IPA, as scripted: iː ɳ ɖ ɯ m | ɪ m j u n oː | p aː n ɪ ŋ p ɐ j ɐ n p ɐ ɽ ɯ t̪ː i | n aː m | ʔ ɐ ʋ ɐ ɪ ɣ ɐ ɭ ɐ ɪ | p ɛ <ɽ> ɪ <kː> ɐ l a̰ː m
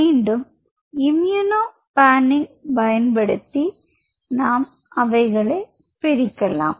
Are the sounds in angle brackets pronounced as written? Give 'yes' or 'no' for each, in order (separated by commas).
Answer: no, yes